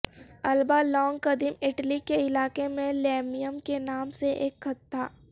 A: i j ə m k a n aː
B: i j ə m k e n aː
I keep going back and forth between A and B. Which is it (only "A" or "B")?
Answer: B